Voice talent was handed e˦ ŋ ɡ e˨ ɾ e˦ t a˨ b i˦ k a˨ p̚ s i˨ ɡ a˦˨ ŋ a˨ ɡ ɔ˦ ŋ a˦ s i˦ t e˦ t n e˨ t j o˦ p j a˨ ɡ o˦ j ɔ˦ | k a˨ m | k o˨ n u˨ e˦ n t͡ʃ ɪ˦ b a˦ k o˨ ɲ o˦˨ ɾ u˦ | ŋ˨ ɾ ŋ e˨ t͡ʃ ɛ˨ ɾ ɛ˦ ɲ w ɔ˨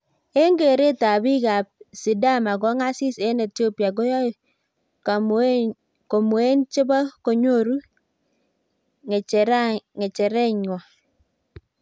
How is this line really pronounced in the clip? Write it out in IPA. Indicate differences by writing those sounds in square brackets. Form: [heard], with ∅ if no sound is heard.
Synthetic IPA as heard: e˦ ŋ ɡ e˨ ɾ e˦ t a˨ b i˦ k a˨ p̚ s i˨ [d] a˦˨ [m] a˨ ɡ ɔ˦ ŋ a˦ s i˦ [s] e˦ [∅] n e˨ t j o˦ p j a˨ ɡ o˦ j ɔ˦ | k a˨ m | k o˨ [m] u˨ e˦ n t͡ʃ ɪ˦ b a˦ k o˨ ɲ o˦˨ ɾ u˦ | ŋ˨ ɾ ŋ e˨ t͡ʃ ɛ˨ ɾ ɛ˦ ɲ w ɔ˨